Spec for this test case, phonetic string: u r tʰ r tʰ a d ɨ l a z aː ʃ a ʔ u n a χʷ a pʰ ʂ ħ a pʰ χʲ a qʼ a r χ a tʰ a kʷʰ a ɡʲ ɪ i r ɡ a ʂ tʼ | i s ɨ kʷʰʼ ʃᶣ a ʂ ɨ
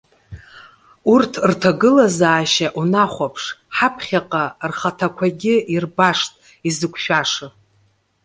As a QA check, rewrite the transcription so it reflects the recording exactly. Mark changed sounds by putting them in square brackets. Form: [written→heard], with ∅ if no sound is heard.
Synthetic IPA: u r tʰ r tʰ a [d→ɡ] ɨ l a z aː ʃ a ʔ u n a χʷ a pʰ ʂ ħ a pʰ χʲ a qʼ a r χ a tʰ a kʷʰ a ɡʲ ɪ i r [ɡ→b] a ʂ tʼ | i [s→z] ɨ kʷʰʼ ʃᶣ a ʂ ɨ